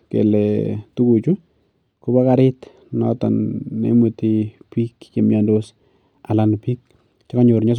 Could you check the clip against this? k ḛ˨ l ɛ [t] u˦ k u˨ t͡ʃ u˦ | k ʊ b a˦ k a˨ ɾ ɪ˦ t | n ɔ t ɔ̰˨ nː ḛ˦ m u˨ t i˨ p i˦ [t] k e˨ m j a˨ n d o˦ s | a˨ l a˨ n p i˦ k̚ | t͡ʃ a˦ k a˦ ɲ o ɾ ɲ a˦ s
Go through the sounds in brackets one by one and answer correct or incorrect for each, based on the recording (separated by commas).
correct, incorrect